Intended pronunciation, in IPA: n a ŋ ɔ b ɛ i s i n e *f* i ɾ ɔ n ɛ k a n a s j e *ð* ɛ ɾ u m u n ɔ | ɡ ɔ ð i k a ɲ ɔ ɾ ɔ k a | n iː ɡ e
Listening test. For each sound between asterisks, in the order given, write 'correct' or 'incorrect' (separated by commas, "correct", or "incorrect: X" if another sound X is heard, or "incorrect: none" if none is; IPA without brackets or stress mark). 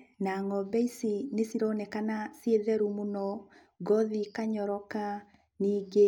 incorrect: s, correct